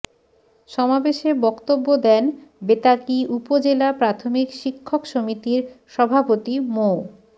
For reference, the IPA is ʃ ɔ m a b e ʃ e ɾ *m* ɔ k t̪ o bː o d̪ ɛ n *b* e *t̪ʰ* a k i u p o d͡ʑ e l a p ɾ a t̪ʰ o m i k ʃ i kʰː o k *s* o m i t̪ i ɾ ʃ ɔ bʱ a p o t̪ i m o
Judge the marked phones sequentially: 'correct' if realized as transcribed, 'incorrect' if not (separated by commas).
incorrect, correct, incorrect, incorrect